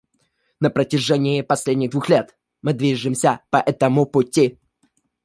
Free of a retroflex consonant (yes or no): no